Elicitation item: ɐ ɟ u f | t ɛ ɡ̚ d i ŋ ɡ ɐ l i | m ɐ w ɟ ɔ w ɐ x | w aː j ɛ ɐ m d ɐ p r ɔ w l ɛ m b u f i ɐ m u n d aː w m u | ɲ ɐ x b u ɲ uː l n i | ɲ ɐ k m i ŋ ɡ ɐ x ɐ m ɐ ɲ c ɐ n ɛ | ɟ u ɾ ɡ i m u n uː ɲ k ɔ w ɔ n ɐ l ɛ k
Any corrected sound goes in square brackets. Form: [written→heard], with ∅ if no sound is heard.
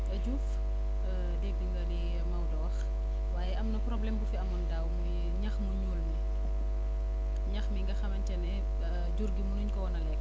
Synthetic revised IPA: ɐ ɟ u f | [t→d] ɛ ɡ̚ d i ŋ ɡ ɐ l i | m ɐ w [ɟ→d] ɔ w ɐ x | w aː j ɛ ɐ m [d→n] ɐ p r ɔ [w→b] l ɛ m b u f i ɐ m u n d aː w m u | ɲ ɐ x [b→m] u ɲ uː l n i | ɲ ɐ [k→x] m i ŋ ɡ ɐ x ɐ m ɐ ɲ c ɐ n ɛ | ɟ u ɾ ɡ i m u n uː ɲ k ɔ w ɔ n ɐ l ɛ k